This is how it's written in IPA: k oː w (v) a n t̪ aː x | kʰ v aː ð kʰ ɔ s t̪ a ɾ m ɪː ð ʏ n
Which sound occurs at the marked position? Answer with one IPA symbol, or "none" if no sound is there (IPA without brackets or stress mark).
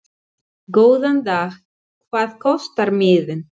ð